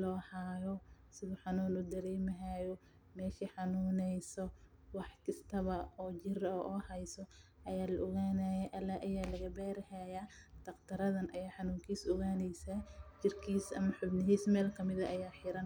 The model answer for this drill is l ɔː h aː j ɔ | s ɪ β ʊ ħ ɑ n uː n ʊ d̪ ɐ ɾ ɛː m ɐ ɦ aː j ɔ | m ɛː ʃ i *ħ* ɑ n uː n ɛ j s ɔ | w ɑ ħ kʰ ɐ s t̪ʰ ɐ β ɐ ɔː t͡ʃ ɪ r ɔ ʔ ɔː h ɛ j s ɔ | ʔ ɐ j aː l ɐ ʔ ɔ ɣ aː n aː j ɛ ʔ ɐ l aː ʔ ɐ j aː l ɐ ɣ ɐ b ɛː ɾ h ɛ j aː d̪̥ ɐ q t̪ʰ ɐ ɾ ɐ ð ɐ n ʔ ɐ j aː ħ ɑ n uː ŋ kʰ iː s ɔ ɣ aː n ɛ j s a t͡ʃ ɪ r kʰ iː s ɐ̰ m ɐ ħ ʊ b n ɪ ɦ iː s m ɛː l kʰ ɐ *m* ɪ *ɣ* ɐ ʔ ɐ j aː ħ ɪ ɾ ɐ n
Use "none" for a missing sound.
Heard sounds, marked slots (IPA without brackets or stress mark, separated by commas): ħ, m, ð